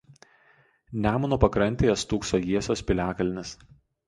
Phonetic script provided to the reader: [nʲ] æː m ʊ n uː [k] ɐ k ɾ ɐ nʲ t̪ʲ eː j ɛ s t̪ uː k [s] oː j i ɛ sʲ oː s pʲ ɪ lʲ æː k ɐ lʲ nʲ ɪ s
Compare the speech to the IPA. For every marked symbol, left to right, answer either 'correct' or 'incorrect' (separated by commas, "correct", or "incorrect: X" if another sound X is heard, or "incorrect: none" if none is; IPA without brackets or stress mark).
correct, incorrect: p, correct